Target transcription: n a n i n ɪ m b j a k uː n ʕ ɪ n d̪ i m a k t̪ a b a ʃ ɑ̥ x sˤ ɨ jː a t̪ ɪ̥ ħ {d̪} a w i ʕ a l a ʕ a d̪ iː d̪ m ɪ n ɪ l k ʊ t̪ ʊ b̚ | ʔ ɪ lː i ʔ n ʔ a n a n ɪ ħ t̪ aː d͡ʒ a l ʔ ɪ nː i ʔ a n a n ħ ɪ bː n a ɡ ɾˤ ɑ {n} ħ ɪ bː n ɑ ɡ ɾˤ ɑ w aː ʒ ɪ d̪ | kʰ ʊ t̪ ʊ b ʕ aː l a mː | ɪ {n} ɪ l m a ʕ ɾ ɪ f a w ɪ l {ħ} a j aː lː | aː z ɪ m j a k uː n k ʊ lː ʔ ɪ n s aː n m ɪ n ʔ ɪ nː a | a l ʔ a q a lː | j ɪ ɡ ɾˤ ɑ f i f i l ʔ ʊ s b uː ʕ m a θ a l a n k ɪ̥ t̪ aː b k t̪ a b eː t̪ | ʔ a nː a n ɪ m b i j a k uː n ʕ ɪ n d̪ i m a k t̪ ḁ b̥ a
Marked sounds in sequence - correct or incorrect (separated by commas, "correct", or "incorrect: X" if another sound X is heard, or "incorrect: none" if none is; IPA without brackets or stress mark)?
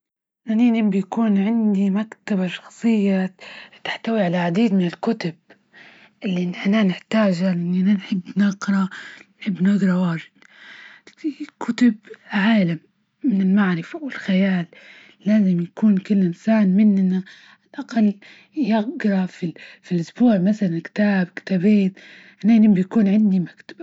incorrect: t̪, correct, correct, incorrect: x